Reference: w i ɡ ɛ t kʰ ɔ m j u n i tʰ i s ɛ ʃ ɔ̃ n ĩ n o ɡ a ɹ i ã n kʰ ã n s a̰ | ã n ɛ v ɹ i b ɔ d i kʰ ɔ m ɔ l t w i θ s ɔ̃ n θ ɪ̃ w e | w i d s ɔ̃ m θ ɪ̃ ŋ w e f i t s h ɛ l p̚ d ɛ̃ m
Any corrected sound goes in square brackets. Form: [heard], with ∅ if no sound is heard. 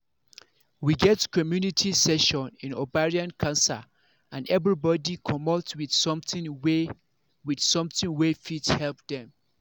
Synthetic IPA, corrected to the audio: w i ɡ ɛ t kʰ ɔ m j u n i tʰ i s ɛ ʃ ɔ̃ n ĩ n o [b] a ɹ i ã n kʰ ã n s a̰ | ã n ɛ v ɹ i b ɔ d i kʰ ɔ m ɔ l t w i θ s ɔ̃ [m] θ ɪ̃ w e | w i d s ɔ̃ m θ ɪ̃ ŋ w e f i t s h ɛ l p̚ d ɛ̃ m